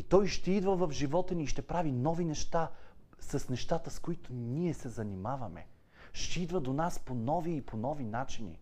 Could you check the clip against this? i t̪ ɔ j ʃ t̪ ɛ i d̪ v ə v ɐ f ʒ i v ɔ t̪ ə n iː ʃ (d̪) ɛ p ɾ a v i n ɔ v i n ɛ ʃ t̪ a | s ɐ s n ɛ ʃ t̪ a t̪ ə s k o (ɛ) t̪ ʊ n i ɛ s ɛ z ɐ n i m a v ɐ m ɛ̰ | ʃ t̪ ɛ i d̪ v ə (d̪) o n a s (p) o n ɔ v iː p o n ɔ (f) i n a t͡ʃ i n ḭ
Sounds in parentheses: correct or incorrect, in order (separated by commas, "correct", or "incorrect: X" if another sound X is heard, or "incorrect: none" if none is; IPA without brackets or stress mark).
incorrect: t̪, incorrect: i, correct, correct, incorrect: v